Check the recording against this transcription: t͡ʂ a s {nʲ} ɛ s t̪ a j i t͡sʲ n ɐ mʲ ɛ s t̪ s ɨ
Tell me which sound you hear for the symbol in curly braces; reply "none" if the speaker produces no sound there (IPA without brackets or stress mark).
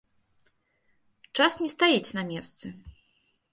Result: nʲ